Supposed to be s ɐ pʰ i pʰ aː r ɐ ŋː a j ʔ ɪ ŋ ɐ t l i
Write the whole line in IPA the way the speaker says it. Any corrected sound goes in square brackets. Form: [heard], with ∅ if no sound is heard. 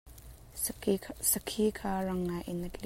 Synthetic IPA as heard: s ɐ [kʰ] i [kʰ] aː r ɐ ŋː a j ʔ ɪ [n] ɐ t l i